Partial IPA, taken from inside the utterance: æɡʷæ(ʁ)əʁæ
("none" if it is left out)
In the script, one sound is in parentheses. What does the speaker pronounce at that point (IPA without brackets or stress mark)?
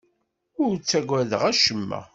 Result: ð